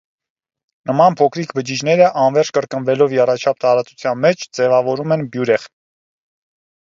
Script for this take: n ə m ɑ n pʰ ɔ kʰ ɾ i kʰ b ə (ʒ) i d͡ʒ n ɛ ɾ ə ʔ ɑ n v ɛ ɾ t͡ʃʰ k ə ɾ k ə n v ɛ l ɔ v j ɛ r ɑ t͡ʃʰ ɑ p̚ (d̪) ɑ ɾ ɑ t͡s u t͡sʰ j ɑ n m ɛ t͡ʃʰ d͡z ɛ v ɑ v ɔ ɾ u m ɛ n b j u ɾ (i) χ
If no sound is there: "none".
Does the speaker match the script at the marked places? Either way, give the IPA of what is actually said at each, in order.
d͡ʒ, t̪, ɛ

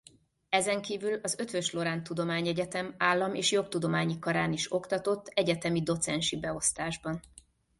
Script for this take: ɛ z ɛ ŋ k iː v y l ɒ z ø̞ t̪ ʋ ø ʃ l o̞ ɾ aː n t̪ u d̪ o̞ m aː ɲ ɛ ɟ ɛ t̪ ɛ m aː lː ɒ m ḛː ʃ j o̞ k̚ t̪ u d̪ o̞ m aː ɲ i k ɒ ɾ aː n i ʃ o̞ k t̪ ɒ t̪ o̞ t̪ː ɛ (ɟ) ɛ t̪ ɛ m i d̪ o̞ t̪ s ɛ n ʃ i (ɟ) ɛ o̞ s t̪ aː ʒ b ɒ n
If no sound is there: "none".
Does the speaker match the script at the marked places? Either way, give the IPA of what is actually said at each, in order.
ɟ, b

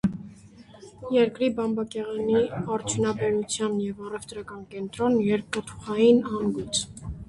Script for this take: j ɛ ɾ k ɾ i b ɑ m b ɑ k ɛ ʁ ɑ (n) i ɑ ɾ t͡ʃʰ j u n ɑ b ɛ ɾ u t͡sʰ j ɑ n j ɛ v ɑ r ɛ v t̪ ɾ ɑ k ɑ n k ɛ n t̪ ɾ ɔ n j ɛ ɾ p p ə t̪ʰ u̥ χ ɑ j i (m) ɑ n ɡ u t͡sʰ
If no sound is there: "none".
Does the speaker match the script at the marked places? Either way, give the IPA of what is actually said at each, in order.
n, n

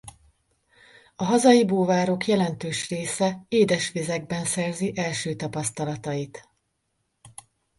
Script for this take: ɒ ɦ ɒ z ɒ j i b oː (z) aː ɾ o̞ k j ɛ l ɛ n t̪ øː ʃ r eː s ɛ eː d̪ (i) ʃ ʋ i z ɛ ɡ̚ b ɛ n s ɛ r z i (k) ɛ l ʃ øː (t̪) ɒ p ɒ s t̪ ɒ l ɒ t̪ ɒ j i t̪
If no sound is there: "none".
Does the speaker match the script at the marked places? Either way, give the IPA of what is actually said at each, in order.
v, ɛ, ʔ, t̪

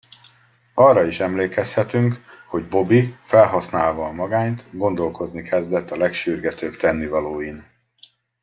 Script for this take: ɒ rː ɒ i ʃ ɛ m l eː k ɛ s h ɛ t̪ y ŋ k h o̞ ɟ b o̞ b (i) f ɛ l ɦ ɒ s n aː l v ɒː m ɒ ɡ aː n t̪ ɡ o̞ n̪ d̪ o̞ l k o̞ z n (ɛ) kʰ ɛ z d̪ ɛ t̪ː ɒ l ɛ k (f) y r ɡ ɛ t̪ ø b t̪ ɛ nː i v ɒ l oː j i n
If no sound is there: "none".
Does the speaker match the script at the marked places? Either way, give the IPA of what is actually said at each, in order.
i, i, ʃ

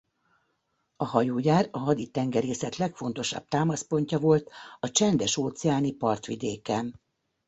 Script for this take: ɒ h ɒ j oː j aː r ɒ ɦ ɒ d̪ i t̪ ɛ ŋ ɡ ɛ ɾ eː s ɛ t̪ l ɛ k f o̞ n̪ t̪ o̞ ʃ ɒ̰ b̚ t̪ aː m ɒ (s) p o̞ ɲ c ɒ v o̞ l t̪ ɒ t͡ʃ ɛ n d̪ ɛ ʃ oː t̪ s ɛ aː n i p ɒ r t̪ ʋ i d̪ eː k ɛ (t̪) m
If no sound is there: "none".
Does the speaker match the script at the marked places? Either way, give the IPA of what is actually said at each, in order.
s, none

